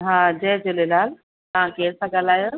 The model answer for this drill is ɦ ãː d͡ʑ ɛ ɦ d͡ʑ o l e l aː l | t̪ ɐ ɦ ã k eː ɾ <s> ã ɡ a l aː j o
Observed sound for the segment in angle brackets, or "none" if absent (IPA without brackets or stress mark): s